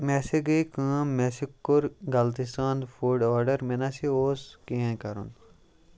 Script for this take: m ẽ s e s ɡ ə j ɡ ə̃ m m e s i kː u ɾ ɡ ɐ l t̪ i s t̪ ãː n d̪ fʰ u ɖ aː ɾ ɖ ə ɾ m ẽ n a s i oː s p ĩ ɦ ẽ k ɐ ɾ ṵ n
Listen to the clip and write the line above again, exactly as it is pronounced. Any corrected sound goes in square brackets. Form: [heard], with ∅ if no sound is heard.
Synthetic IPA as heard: m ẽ s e [∅] ɡ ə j [k] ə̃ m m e s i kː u ɾ ɡ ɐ l t̪ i s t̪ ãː n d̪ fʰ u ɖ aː ɾ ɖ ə ɾ m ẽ n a s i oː s [k] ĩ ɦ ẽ k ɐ ɾ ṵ n